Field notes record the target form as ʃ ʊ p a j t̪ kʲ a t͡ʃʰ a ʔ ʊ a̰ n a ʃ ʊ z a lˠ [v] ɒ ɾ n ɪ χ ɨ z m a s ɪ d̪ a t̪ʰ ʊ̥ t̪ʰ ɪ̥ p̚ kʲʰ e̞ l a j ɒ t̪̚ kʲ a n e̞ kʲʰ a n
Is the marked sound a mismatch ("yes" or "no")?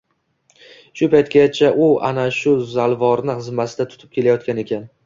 no